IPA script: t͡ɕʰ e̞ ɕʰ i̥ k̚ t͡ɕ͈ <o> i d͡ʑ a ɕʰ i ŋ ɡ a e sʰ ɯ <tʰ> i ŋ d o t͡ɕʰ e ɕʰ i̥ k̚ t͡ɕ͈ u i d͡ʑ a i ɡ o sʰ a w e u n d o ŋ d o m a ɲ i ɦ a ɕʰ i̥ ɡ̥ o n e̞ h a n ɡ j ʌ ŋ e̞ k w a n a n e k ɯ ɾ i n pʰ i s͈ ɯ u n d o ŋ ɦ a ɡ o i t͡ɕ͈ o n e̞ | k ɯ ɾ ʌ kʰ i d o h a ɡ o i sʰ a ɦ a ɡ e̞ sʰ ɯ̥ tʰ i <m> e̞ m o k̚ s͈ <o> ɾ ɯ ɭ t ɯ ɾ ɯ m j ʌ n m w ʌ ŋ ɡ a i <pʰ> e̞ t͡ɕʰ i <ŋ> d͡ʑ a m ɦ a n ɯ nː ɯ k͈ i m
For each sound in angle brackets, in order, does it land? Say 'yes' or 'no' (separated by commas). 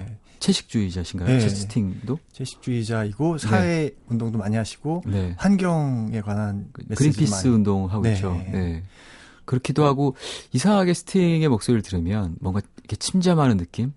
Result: no, yes, no, yes, no, no